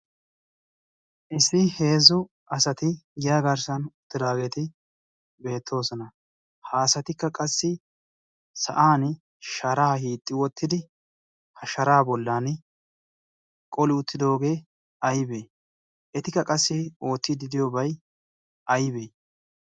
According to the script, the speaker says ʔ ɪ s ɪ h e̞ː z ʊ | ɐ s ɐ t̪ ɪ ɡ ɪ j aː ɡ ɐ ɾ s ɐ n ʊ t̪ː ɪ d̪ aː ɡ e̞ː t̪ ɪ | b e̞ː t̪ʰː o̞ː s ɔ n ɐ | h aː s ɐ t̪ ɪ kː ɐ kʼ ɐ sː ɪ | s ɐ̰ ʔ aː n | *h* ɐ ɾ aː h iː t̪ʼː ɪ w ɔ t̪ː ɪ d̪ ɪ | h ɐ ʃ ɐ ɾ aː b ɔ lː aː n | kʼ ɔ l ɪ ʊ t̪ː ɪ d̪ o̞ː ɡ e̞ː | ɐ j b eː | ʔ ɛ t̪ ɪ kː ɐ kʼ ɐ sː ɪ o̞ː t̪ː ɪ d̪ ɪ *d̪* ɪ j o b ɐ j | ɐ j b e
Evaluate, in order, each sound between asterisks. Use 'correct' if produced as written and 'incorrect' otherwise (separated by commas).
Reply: incorrect, correct